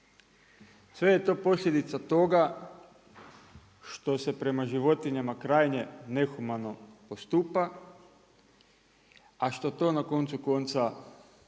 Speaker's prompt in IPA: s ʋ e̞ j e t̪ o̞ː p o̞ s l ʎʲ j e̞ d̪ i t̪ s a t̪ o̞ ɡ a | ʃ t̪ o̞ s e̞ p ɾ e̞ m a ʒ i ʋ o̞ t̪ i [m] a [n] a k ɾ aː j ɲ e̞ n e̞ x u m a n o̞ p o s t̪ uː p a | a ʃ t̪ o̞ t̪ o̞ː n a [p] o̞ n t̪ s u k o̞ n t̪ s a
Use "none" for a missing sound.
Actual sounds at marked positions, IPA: ɲ, m, k

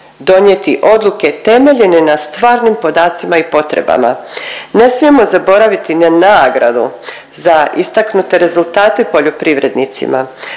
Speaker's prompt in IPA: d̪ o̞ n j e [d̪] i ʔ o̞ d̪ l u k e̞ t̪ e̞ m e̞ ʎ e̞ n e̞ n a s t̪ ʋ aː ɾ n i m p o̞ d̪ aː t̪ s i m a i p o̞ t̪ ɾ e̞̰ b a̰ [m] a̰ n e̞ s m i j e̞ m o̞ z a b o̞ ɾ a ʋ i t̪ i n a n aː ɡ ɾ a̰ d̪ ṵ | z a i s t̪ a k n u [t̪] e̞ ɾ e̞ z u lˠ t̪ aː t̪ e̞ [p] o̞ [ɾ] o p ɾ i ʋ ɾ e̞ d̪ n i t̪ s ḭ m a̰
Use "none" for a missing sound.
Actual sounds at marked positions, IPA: t̪, m, t̪, p, ʎ

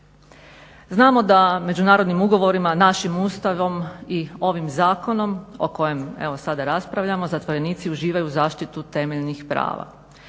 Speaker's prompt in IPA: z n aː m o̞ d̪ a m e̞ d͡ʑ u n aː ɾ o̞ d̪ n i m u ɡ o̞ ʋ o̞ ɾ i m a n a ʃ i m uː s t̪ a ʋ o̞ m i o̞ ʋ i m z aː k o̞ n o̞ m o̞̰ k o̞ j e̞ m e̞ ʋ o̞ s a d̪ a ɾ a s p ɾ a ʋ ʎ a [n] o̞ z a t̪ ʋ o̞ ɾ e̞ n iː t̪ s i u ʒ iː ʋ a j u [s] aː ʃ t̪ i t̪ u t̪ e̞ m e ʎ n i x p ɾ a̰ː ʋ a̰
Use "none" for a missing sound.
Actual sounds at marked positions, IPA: m, z

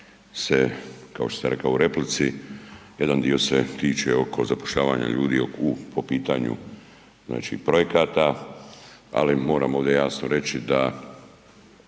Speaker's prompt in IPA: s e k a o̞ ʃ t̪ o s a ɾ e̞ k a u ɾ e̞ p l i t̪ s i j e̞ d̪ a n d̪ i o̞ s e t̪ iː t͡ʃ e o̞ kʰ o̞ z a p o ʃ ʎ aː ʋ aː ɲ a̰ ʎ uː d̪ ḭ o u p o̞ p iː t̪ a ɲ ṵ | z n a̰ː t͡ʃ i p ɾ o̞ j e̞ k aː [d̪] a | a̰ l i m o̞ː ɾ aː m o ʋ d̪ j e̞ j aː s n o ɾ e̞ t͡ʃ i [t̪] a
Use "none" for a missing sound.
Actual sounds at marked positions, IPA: t̪, d̪

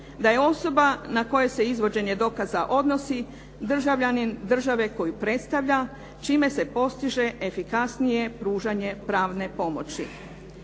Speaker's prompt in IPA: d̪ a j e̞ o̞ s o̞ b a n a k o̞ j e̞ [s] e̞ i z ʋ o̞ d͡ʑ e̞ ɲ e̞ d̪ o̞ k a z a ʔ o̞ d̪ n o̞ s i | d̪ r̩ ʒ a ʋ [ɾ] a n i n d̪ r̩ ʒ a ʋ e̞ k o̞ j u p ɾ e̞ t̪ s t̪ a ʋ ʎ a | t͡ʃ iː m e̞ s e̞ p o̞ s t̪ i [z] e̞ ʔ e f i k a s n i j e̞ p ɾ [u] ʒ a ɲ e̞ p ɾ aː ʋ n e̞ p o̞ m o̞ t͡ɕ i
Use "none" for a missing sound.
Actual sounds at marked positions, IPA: s, ʎ, ʒ, uː

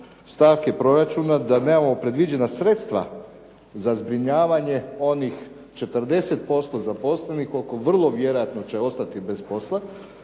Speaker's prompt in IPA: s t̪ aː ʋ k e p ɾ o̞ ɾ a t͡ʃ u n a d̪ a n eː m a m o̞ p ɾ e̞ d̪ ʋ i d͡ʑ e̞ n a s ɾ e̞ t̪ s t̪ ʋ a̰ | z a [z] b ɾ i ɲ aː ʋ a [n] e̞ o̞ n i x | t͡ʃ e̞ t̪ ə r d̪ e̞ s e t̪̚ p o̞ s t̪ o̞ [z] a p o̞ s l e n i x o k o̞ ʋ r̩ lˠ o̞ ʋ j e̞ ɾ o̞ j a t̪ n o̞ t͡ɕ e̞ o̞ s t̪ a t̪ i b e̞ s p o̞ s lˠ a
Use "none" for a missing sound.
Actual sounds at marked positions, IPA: z, ɲ, z

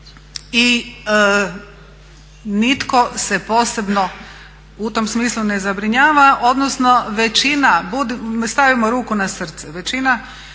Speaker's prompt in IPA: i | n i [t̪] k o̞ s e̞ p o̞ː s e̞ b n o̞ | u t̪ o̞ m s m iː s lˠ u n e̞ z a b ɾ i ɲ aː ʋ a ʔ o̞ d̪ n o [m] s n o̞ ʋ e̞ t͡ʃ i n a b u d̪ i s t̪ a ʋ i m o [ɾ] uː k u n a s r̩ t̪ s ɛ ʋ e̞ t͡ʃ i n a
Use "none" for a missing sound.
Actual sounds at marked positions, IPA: t̪, none, ɾ

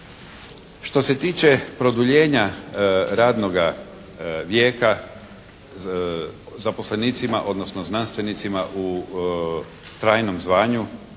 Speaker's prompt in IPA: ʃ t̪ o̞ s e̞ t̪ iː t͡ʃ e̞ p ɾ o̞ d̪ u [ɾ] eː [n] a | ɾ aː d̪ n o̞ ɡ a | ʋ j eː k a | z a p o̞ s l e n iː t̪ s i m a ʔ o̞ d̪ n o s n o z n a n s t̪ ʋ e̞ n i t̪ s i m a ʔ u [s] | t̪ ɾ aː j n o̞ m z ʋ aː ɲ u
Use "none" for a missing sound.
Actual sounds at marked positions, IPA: ʎ, ɲ, none

